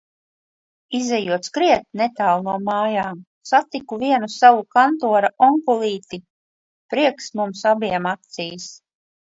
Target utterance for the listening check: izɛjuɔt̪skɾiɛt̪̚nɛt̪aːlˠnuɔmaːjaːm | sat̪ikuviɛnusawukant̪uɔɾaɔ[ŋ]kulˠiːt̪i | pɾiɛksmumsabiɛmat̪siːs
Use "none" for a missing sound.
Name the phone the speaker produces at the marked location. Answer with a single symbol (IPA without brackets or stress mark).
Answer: ŋ